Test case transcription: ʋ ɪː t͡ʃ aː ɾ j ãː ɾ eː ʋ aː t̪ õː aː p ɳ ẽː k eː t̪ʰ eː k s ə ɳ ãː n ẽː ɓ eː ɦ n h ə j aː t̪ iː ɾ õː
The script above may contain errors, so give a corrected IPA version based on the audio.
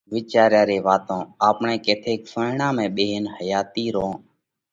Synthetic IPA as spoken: ʋ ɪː t͡ʃ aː ɾ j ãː ɾ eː ʋ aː t̪ õː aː p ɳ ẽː k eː t̪ʰ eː k s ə ɳ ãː m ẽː ɓ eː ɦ n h ə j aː t̪ iː ɾ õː